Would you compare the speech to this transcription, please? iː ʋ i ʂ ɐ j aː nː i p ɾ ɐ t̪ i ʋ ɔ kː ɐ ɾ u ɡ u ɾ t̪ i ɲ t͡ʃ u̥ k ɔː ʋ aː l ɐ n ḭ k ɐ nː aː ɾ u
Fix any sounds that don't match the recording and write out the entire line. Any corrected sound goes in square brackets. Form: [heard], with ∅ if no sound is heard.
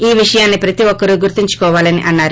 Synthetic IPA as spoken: iː ʋ i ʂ ɐ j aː nː i p ɾ ɐ t̪ i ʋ ɔ kː ɐ ɾ u ɡ u ɾ t̪ i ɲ t͡ʃ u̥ k ɔː ʋ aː l ɐ n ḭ [ʔ] ɐ nː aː ɾ u